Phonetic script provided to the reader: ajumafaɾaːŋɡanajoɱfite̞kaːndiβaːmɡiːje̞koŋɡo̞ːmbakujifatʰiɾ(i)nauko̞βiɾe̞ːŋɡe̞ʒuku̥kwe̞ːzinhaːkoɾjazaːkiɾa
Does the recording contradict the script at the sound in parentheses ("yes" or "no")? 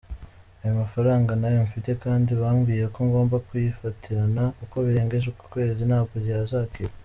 yes